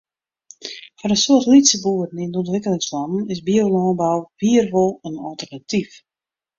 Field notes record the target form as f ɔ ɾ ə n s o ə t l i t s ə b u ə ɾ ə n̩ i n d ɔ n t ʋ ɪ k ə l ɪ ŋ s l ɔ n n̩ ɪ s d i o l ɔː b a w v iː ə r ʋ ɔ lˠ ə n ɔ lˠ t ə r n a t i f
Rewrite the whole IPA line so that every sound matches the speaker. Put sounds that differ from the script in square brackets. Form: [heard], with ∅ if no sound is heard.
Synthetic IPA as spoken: f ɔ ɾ ə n s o ə t l i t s ə b u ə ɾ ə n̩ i n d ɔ n t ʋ ɪ k ə l ɪ ŋ s l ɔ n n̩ ɪ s [b] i o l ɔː b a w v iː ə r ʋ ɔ lˠ ə n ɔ lˠ t ə r n a t i f